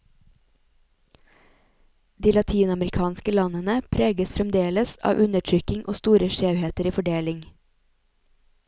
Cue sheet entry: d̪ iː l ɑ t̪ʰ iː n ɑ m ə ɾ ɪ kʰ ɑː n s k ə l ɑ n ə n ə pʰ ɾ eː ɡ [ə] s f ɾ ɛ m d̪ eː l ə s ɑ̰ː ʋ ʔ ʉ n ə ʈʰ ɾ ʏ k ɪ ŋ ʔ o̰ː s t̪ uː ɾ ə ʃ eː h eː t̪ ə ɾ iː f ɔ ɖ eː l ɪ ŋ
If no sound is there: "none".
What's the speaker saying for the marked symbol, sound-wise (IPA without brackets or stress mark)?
ə